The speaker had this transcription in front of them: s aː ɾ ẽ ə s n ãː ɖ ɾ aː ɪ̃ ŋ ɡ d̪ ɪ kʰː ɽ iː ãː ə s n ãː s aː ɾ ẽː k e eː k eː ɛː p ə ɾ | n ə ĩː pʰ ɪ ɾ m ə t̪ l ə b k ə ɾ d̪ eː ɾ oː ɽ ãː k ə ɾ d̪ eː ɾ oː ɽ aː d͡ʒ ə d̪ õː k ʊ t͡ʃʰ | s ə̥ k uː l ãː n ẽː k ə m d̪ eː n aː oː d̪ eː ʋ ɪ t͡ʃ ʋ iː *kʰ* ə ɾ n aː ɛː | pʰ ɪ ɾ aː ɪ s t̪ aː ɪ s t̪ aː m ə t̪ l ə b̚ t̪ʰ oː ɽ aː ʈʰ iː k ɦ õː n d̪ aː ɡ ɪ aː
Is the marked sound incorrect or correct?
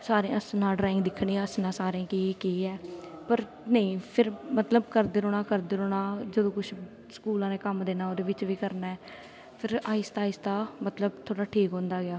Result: incorrect